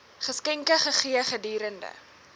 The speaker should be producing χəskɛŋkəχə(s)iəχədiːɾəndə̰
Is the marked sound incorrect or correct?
incorrect